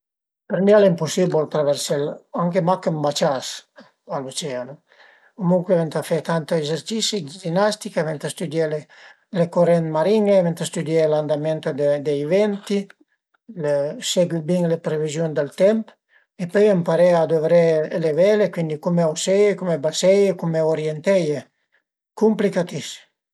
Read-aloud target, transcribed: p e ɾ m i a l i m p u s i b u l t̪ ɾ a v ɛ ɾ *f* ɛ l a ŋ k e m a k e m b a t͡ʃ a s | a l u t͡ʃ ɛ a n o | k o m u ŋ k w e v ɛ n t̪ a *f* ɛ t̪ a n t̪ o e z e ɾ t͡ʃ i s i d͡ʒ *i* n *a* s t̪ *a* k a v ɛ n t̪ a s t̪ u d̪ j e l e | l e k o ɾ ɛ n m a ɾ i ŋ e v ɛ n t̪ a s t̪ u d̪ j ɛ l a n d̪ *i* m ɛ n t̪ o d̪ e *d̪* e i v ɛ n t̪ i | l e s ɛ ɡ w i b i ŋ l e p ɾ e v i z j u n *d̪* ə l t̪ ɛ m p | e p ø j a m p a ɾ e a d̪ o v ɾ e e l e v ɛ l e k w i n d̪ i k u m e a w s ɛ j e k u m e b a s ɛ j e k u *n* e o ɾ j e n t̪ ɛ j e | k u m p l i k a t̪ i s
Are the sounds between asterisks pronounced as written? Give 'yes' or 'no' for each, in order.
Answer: no, yes, yes, yes, no, no, yes, yes, no

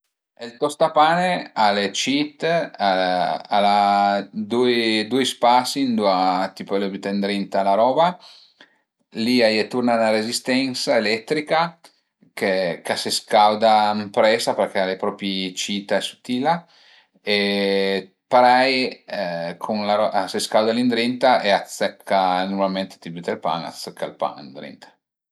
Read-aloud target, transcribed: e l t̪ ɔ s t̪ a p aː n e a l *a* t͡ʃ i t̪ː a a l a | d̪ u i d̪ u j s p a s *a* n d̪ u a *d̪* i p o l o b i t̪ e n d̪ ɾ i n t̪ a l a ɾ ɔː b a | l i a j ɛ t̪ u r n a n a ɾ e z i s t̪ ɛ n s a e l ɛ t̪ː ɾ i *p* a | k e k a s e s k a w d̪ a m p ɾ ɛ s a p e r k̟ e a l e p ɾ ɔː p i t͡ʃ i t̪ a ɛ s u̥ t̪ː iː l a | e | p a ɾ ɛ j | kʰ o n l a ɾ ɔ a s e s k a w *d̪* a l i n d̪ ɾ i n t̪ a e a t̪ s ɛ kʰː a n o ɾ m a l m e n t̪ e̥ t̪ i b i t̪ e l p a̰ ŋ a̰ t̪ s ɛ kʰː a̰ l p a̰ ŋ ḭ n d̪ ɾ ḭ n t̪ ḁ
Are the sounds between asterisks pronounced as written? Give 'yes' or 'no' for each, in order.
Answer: no, no, no, no, yes

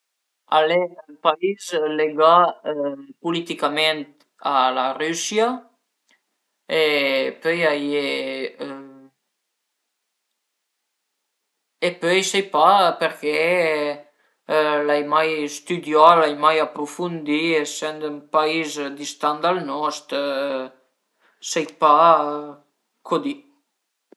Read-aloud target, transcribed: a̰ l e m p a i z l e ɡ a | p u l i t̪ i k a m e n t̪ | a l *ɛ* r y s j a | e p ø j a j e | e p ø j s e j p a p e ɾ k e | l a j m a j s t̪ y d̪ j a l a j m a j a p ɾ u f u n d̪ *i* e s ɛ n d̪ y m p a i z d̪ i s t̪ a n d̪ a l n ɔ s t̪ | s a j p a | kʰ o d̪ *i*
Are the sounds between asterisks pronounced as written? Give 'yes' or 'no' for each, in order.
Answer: no, yes, yes

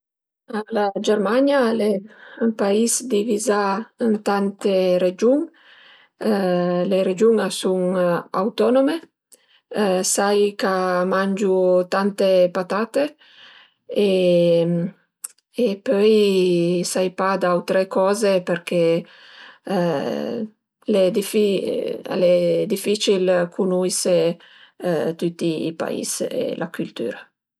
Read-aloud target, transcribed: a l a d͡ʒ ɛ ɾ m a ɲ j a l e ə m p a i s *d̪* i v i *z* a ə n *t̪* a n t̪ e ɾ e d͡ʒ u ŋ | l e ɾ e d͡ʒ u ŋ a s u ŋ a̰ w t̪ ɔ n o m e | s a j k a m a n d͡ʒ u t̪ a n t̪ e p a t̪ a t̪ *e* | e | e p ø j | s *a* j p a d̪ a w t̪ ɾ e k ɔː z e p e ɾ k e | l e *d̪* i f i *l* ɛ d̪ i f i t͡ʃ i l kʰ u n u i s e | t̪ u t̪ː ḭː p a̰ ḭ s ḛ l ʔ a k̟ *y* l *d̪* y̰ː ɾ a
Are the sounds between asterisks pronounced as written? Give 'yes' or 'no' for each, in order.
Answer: yes, yes, yes, yes, yes, yes, yes, yes, no

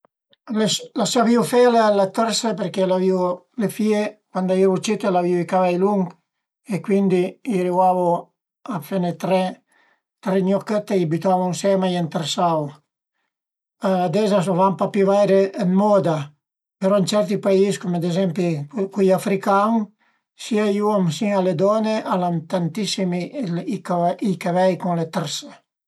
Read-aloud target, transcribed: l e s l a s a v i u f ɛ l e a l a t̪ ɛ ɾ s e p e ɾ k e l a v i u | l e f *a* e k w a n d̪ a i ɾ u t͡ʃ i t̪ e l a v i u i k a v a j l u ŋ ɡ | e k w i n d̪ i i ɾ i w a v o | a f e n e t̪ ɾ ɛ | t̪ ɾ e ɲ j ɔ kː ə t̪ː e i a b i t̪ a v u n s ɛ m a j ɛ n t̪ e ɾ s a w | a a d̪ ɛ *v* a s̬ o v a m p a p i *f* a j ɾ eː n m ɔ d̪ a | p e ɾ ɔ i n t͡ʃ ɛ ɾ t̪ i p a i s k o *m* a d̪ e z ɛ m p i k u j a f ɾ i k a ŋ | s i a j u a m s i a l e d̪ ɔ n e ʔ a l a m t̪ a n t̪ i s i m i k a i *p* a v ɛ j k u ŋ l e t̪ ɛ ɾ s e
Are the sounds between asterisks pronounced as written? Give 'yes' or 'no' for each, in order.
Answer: no, no, no, yes, no

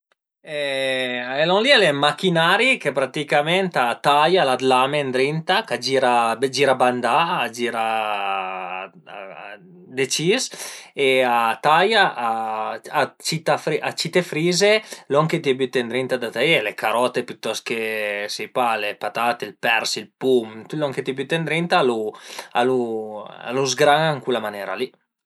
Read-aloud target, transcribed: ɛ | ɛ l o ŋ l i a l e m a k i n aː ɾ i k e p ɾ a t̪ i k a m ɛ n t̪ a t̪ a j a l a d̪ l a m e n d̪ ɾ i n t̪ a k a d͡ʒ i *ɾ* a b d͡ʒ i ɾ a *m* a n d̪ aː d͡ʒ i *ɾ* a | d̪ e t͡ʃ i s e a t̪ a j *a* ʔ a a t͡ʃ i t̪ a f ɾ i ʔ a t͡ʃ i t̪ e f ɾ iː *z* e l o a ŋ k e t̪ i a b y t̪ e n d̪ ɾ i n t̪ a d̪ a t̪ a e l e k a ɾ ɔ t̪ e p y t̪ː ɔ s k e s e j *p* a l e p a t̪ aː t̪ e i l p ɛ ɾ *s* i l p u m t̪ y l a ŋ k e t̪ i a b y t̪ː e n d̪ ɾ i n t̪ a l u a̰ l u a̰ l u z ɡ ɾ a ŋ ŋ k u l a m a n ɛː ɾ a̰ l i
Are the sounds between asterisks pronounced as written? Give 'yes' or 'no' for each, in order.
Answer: yes, no, yes, yes, yes, yes, yes

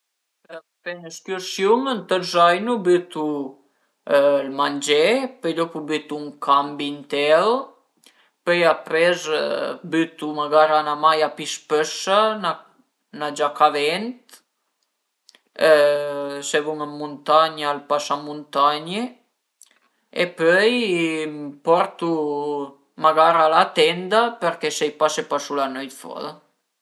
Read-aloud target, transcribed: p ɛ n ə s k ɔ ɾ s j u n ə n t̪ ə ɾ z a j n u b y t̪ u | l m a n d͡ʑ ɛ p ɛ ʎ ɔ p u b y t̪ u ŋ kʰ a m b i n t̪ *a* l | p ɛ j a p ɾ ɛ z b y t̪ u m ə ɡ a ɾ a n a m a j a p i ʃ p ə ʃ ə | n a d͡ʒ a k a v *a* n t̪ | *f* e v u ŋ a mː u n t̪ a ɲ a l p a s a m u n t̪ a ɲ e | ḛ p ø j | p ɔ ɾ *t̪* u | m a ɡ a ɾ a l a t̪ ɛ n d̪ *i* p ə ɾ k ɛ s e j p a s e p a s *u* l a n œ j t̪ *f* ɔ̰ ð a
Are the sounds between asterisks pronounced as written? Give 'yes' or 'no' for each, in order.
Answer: no, no, no, yes, no, yes, yes

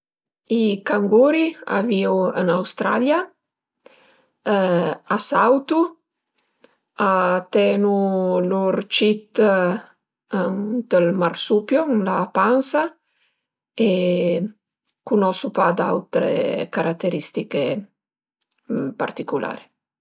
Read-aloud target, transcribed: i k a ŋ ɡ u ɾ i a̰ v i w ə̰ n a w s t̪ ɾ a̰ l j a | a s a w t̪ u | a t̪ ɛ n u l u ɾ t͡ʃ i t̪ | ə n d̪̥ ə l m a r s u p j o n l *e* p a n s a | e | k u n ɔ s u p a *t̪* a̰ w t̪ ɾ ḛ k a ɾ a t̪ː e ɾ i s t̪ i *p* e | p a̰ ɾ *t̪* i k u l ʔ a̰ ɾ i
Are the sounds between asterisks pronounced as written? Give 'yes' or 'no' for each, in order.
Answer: no, no, no, yes

